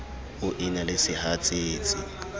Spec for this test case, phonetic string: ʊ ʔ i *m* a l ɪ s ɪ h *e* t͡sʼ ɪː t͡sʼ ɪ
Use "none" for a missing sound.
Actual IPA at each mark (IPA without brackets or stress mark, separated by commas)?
n, a